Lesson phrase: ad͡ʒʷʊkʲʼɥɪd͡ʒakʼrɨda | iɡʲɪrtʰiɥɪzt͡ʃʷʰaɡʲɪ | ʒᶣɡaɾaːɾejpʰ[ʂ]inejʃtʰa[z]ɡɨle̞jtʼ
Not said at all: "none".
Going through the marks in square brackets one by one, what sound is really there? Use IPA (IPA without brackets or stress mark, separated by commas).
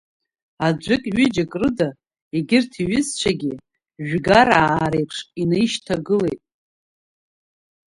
ʂ, none